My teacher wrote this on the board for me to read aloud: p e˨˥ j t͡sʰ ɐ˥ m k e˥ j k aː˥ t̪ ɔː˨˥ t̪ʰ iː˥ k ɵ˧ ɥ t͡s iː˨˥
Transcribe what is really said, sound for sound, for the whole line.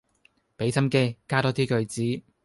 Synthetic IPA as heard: p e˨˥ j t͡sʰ ɐ˥ m k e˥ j k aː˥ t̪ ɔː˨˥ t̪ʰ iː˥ k ɵ˧ ɥ t͡s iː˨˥